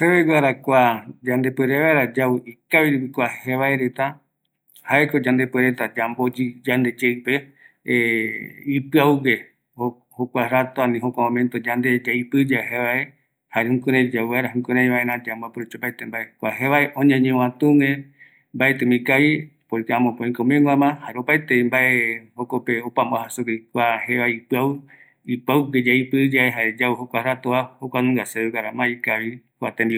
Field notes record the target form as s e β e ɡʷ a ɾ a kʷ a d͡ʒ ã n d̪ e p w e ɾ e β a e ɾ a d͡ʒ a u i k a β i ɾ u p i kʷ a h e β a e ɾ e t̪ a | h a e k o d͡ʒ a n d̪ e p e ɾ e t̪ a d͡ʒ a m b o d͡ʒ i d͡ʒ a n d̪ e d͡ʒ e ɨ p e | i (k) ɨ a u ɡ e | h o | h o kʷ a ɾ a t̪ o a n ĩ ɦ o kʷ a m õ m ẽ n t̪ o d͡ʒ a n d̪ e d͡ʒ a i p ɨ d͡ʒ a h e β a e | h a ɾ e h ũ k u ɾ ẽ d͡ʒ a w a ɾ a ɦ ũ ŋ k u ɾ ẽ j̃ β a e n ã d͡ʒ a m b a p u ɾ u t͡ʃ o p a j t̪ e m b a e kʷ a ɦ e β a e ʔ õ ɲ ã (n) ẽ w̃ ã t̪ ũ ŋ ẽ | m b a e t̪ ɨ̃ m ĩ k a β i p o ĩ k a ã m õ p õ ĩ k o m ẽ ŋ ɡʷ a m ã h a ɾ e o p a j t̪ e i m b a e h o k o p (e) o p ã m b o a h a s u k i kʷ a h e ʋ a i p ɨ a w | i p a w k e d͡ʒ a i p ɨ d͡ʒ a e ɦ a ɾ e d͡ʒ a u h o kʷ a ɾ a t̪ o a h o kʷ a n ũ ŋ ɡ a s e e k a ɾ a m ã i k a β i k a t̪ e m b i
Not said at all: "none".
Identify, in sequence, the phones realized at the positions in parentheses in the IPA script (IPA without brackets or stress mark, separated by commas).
p, ɲ, e